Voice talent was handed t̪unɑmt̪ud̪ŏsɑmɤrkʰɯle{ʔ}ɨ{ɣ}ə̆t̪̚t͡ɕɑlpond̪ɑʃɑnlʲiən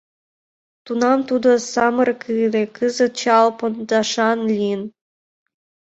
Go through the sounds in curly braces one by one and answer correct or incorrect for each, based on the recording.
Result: incorrect: k, incorrect: z

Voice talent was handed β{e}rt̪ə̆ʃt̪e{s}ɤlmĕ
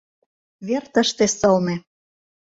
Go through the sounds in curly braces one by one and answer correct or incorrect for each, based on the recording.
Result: correct, correct

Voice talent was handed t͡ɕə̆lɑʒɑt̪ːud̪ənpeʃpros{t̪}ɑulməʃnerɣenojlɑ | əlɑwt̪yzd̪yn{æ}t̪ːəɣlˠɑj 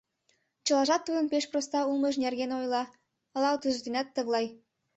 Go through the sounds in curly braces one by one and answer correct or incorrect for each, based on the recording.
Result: correct, correct

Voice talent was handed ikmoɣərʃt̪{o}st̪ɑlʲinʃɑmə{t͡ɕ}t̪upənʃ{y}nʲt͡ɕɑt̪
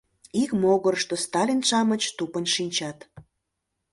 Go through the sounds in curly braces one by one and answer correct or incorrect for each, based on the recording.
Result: correct, correct, incorrect: i

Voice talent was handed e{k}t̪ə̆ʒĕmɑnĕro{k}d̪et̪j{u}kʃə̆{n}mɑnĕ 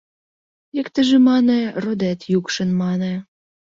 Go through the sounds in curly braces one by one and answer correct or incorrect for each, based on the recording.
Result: correct, incorrect: none, correct, correct

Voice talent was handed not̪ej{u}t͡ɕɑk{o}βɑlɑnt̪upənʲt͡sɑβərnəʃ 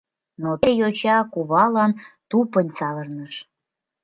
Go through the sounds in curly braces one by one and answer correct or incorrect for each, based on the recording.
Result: incorrect: o, incorrect: u

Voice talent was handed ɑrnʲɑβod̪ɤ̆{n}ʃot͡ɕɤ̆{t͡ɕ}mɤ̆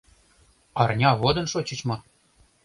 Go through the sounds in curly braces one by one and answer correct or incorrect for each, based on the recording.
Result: correct, correct

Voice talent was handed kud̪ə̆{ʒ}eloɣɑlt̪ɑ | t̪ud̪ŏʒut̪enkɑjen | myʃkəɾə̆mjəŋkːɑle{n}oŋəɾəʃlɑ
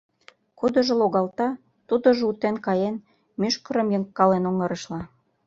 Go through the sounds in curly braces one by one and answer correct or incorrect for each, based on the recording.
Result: correct, correct

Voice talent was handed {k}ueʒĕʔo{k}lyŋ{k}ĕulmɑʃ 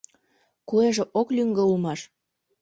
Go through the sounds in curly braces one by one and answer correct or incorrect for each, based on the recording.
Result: correct, correct, incorrect: ɡ

